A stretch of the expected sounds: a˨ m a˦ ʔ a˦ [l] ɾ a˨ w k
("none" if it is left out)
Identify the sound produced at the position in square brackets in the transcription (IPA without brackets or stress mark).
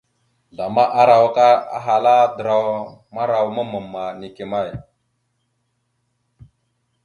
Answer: none